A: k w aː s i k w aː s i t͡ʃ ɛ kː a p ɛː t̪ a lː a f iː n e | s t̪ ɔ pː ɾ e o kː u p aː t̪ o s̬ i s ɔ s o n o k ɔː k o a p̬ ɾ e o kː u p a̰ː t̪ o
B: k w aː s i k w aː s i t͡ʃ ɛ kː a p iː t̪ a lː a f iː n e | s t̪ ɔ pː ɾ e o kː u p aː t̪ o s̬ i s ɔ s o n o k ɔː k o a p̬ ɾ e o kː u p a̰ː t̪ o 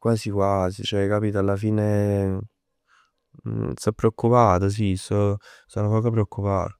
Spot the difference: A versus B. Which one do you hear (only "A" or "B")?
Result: B